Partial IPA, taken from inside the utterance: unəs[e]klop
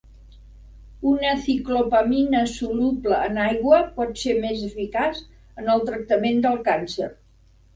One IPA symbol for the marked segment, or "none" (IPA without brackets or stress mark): i